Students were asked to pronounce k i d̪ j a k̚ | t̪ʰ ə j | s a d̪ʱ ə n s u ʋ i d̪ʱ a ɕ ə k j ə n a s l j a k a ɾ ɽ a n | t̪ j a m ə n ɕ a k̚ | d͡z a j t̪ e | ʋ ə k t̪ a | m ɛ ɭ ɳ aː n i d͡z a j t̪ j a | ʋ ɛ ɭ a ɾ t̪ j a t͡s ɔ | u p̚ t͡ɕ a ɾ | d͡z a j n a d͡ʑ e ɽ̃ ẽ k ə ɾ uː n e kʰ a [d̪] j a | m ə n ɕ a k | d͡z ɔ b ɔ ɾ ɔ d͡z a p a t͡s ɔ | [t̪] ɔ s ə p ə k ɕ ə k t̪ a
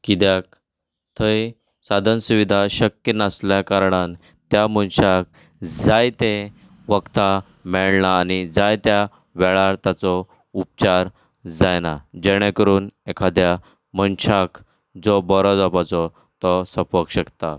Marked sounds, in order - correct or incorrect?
correct, correct

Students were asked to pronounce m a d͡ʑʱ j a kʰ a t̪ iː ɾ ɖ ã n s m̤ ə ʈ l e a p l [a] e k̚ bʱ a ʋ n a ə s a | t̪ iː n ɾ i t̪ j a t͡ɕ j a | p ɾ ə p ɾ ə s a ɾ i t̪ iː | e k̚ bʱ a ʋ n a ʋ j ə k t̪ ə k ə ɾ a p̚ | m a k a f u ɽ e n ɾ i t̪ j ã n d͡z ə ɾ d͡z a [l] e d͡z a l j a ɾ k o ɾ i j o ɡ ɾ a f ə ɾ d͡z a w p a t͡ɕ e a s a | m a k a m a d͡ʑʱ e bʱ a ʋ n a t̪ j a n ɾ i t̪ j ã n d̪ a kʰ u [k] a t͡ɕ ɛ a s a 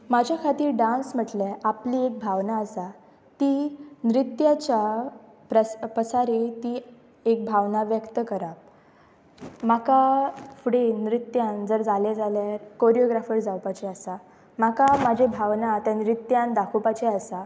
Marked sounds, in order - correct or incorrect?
incorrect: i, correct, incorrect: p

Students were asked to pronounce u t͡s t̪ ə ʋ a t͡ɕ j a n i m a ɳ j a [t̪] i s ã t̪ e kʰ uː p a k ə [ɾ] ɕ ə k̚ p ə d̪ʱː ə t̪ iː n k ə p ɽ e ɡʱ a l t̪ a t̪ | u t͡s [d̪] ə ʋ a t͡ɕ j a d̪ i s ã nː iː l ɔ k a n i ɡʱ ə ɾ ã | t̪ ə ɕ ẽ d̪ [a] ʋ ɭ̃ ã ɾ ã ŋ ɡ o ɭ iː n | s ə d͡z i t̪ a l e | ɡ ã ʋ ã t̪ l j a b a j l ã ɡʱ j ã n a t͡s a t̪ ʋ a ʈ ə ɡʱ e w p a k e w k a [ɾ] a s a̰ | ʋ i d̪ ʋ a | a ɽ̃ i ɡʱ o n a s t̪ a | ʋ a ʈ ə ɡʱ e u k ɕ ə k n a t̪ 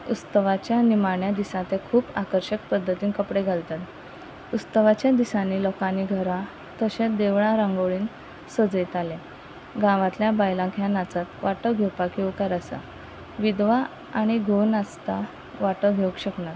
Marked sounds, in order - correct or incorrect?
incorrect: d̪, correct, incorrect: t̪, incorrect: e, correct

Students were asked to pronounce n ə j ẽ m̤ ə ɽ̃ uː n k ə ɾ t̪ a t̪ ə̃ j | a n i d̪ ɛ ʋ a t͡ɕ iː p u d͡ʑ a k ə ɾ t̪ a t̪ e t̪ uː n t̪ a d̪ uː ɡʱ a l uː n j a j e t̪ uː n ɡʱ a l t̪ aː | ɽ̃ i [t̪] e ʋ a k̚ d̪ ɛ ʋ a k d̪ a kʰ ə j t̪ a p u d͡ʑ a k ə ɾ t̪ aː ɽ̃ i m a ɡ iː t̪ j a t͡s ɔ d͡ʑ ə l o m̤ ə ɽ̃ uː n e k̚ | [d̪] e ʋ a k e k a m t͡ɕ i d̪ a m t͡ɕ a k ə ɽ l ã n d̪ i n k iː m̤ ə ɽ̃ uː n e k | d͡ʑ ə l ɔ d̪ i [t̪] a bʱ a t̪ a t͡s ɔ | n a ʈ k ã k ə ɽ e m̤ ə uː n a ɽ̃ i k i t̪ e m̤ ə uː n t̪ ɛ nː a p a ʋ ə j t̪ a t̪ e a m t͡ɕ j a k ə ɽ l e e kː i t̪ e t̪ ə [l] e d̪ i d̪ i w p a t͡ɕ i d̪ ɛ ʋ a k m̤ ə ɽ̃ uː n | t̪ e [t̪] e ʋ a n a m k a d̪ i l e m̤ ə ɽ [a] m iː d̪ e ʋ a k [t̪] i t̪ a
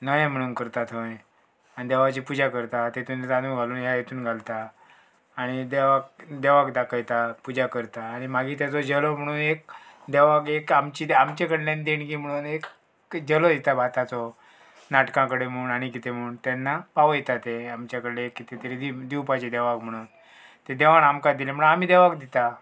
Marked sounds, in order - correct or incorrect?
incorrect: d̪, correct, correct, incorrect: ɾ, incorrect: d̪, correct, incorrect: d̪

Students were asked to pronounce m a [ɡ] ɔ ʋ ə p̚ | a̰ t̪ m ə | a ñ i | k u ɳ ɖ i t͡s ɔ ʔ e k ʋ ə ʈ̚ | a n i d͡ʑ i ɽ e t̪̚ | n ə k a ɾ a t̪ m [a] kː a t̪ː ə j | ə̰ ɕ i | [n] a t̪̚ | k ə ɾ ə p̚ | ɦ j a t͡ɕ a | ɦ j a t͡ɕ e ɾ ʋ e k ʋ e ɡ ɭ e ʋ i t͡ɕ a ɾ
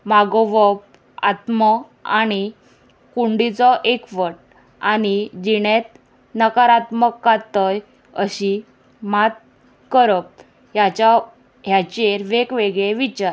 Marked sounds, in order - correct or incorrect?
correct, incorrect: ə, incorrect: m

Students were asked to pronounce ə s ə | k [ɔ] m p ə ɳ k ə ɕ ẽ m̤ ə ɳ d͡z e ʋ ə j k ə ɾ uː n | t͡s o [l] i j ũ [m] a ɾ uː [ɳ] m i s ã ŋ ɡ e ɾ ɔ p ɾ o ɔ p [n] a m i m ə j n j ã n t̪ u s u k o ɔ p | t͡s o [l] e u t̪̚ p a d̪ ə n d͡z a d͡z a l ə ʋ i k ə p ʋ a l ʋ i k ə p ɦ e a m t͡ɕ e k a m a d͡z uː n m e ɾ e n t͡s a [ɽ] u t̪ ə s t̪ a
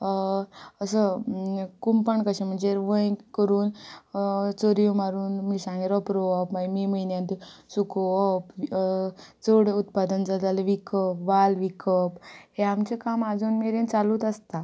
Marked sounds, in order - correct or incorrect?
incorrect: u, incorrect: ɾ, correct, incorrect: n, incorrect: m, incorrect: ɽ, incorrect: l

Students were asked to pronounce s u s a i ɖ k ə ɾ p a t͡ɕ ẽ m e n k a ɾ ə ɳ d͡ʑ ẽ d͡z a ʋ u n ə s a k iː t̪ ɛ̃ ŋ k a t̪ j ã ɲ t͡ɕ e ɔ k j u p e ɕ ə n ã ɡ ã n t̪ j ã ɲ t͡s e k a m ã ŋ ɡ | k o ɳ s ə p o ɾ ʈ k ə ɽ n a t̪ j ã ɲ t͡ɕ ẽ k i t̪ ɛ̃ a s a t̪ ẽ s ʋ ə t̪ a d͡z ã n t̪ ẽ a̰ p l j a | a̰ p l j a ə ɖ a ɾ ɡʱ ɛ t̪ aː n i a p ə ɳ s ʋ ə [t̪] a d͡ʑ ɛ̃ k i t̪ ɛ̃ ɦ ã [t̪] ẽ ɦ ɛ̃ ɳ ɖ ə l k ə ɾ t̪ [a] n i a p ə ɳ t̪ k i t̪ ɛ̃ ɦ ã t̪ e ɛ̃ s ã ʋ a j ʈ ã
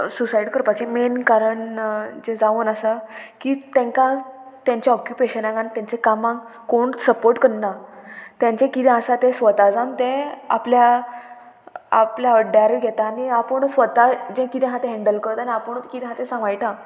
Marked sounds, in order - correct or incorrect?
correct, correct, correct

